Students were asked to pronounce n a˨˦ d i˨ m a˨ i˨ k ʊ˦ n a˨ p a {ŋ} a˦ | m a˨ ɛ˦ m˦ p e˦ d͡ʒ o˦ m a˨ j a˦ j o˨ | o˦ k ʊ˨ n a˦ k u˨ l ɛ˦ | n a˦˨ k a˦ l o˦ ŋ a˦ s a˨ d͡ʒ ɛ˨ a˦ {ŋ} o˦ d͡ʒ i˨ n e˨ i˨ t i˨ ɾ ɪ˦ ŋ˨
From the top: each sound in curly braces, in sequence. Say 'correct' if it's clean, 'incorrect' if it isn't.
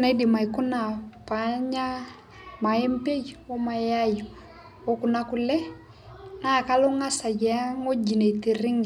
incorrect: ɲ, correct

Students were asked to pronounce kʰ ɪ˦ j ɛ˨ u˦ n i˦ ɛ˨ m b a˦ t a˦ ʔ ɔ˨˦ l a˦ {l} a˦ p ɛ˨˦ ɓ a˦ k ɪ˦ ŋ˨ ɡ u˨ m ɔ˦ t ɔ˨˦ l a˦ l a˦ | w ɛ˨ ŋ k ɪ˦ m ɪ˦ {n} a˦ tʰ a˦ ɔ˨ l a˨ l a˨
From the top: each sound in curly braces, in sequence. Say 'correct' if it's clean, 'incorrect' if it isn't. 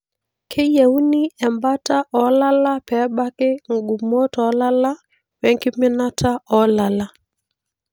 correct, correct

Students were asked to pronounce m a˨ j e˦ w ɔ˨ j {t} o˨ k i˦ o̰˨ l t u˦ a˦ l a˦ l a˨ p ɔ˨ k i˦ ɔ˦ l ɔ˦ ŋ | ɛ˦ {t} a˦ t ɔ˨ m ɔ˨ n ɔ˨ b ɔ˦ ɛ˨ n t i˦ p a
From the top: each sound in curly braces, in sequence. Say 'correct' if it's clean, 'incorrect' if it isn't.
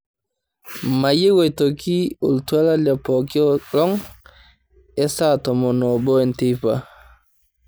correct, incorrect: s

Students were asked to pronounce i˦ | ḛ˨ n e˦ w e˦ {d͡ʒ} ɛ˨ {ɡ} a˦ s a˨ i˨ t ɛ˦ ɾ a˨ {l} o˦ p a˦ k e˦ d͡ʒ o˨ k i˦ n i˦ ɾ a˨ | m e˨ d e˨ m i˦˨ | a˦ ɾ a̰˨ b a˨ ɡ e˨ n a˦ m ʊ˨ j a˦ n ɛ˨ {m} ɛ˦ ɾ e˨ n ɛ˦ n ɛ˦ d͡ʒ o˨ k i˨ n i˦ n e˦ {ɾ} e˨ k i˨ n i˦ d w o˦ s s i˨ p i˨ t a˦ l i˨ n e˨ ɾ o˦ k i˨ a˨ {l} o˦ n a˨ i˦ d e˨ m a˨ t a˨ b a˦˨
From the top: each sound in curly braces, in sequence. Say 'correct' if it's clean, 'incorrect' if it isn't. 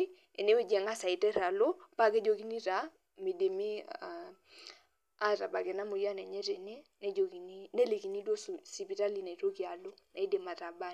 correct, incorrect: ŋ, correct, incorrect: ɲ, incorrect: l, correct

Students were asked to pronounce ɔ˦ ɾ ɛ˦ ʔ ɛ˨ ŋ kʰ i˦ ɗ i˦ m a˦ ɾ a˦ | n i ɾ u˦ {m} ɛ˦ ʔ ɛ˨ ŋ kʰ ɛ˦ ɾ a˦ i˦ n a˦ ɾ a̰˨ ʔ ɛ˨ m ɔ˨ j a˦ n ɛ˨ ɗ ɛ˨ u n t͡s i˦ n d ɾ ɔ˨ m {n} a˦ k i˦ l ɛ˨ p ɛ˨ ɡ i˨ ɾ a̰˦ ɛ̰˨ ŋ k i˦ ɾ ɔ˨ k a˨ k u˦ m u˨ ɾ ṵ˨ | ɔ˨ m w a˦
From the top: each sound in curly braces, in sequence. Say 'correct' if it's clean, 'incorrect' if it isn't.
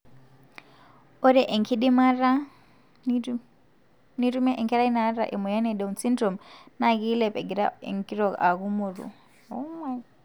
correct, correct

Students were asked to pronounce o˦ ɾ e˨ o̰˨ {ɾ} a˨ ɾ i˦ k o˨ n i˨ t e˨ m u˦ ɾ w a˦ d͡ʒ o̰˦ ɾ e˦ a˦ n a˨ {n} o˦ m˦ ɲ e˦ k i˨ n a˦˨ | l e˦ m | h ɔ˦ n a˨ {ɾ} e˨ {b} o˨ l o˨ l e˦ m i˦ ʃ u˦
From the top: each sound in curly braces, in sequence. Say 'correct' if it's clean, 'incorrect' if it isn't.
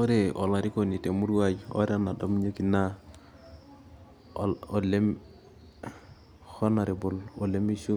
incorrect: l, incorrect: d, correct, correct

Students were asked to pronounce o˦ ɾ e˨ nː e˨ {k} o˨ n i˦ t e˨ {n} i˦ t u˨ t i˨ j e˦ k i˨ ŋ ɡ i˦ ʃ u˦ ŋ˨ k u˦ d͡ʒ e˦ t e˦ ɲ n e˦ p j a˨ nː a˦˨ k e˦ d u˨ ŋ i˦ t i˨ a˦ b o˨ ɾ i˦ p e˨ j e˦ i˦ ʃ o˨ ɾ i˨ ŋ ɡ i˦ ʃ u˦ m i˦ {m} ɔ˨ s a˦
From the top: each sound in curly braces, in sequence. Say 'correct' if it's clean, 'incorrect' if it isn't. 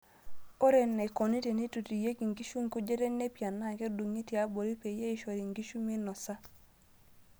correct, correct, incorrect: n

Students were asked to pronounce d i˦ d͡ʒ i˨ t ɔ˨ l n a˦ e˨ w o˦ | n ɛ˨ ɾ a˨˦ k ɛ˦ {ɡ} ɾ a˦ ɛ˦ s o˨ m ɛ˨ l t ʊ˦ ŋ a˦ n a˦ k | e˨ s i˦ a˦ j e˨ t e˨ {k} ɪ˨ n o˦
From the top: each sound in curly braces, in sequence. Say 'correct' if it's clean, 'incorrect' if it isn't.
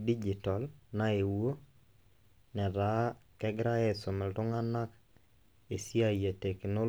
correct, correct

